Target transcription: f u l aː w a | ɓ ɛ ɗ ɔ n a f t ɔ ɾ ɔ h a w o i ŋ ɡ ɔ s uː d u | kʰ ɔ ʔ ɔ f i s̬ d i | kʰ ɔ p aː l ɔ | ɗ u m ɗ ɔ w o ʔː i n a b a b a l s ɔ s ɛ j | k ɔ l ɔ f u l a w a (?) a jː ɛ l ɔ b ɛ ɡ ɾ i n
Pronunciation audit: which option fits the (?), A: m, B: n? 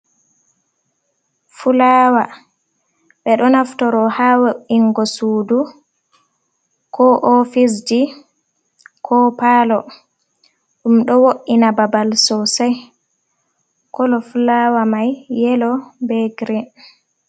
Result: A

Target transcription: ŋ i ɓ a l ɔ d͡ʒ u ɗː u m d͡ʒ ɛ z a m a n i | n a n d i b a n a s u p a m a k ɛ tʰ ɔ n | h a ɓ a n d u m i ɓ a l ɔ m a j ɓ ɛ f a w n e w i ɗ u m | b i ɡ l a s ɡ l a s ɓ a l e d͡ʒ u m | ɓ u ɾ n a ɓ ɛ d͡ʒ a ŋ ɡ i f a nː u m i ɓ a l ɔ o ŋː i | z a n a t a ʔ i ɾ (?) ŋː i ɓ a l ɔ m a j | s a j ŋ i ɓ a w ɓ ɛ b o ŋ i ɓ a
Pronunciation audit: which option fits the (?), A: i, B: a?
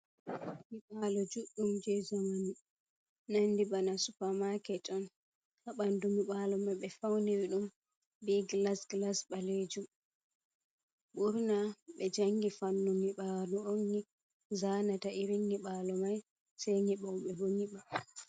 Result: A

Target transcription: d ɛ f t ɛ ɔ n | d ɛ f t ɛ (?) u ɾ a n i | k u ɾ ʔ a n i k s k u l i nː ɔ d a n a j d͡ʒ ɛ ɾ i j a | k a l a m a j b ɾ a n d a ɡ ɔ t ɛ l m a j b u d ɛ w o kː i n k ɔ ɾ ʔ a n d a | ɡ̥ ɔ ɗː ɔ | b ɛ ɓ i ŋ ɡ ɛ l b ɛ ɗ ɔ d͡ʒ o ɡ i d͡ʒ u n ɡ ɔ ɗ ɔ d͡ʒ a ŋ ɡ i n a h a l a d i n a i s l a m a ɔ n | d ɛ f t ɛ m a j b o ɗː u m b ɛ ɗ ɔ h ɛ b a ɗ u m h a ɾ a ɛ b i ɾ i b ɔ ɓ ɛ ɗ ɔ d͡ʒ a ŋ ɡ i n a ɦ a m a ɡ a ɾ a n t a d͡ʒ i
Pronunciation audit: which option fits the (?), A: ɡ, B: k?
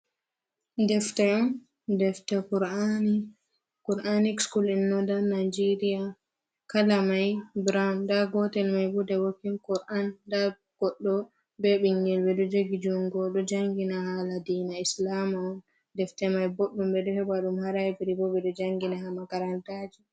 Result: B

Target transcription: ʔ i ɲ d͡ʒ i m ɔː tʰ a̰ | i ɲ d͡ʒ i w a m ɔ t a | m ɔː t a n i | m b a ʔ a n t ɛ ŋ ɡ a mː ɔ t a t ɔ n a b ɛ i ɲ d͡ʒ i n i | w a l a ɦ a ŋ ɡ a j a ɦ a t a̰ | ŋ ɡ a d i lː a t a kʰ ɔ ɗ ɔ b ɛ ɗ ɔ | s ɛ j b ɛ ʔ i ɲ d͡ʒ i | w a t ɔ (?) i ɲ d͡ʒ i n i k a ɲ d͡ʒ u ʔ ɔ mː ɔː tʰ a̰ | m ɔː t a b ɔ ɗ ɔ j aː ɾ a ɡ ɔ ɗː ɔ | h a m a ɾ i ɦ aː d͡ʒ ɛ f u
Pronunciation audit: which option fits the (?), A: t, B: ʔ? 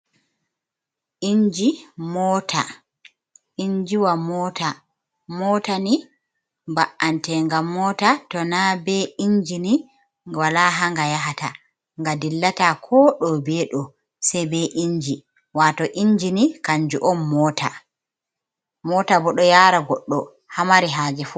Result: B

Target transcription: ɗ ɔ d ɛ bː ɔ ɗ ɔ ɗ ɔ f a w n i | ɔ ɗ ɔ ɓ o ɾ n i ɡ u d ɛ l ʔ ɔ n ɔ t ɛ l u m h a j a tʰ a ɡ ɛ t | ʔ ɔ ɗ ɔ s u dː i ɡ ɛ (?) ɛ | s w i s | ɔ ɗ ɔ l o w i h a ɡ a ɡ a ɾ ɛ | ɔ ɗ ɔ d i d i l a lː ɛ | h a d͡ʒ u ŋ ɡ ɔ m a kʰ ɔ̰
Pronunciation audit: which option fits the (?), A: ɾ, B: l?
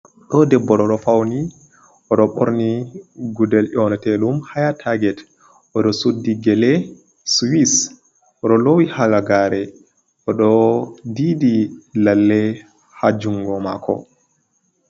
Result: B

